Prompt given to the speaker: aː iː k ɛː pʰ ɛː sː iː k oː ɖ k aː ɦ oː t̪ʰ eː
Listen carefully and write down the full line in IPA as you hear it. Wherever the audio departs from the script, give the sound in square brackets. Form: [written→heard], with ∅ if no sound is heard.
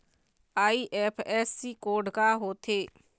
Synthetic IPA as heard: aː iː [k→ʔ] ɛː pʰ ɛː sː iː k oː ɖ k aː ɦ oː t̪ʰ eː